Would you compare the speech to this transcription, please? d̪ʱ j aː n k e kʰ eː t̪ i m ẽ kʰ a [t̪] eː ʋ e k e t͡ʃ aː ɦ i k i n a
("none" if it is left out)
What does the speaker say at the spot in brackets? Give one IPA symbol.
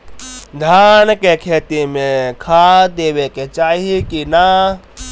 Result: d̪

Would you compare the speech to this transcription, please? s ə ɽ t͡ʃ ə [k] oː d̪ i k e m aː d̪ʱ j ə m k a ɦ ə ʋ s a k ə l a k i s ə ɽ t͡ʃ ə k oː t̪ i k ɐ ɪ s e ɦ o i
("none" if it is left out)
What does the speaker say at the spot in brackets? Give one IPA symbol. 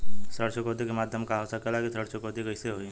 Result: k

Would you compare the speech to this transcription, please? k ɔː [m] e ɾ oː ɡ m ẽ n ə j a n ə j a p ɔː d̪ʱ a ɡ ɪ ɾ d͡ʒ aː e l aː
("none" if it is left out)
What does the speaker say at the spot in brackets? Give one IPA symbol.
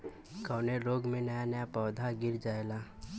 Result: n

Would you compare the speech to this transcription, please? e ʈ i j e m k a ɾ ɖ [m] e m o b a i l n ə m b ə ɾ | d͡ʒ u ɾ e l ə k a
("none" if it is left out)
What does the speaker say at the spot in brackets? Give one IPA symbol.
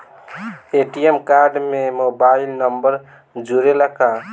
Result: m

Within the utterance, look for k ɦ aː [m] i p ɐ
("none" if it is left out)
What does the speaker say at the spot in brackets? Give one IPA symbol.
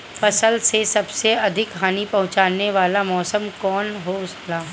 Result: n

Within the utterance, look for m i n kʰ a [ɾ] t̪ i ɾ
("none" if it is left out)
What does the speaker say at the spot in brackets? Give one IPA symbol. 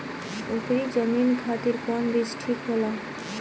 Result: none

